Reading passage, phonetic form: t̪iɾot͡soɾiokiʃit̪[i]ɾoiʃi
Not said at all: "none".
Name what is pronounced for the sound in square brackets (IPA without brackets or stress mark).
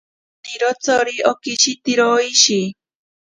i